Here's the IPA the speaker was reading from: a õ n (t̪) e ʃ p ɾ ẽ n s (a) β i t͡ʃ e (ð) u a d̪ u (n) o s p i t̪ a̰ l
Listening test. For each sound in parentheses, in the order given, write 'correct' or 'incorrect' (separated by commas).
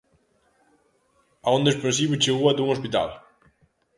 incorrect, incorrect, incorrect, incorrect